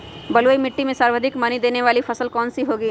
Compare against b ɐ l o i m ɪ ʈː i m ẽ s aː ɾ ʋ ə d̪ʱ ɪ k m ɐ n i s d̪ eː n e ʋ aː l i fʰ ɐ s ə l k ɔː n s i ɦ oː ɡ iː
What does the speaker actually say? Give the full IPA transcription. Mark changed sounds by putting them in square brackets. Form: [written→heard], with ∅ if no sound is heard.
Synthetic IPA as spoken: b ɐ l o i m ɪ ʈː i m ẽ s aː ɾ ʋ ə d̪ʱ ɪ k m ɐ n i [s→∅] d̪ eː n e ʋ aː l i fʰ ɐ s ə l k ɔː n s i ɦ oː ɡ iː